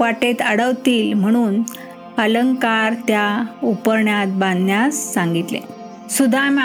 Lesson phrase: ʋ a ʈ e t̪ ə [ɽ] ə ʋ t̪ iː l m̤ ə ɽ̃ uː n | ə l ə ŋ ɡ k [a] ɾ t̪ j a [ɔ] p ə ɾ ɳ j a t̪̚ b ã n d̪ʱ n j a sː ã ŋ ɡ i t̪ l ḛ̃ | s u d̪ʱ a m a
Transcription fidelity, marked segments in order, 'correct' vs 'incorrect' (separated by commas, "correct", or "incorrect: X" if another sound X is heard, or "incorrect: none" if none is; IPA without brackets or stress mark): correct, correct, incorrect: u